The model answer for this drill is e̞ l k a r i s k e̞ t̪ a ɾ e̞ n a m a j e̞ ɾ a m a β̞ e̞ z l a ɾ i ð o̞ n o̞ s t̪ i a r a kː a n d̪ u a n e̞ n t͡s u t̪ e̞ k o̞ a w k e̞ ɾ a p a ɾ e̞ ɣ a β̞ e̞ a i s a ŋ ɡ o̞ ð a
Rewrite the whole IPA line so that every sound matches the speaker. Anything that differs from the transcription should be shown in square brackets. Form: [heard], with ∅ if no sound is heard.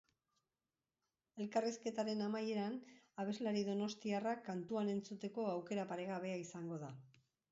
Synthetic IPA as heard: e̞ l k a r i s k e̞ t̪ a ɾ e̞ n a m a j e̞ ɾ a [n] a β̞ e̞ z l a ɾ i ð o̞ n o̞ s t̪ i a r a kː a n [t̪] u a n e̞ n t͡s u t̪ e̞ k o̞ a w k e̞ ɾ a p a ɾ e̞ ɣ a β̞ e̞ a i s a ŋ ɡ o̞ ð a